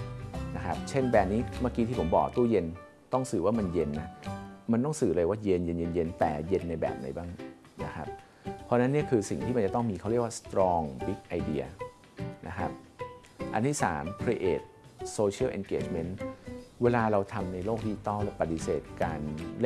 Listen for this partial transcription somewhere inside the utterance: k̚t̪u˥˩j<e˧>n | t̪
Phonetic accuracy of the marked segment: correct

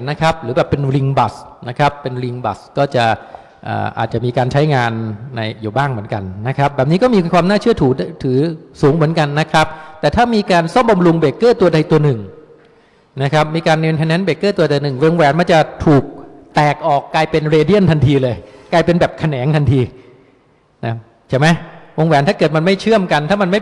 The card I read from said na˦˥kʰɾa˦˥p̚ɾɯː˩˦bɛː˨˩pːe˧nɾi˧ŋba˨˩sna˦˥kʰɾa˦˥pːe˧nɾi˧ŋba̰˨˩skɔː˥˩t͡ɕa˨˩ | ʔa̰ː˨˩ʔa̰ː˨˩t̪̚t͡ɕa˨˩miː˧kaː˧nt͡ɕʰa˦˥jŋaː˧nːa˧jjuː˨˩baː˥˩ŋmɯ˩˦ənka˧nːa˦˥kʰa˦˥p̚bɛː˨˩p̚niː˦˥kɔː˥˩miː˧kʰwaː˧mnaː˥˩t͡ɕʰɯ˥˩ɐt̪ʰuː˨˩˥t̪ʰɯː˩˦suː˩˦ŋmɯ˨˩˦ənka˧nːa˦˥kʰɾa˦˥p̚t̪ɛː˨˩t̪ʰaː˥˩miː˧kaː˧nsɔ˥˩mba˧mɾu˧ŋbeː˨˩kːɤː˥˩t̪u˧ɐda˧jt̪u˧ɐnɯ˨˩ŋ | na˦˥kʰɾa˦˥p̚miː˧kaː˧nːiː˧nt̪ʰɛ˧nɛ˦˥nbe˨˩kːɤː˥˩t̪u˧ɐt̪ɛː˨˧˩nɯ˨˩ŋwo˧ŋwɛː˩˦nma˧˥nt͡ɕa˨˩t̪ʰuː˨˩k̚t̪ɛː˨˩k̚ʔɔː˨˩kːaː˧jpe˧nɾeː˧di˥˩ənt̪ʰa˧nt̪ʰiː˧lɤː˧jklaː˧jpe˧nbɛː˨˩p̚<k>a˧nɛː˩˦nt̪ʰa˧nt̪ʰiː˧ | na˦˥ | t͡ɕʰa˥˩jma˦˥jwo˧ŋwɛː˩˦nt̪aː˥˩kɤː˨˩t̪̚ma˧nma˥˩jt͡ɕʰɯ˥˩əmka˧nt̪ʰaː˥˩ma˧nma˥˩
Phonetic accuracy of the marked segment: incorrect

